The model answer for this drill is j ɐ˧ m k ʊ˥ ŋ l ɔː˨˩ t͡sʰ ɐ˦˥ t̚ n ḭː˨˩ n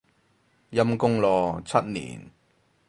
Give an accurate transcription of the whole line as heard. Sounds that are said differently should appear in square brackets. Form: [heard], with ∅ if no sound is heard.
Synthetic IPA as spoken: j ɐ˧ m k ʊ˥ ŋ l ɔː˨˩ t͡sʰ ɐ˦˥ t̚ n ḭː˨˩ n